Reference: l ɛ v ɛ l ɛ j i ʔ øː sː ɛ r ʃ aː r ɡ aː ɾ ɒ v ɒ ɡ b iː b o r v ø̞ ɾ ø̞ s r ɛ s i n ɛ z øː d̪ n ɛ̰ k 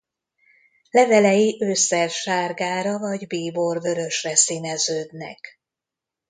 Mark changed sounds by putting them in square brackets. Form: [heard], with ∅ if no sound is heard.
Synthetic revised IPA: l ɛ v ɛ l ɛ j i ʔ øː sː ɛ r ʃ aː r ɡ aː ɾ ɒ v ɒ [ɟ] b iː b o r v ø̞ ɾ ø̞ [ʃ] r ɛ s i n ɛ z øː d̪ n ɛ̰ k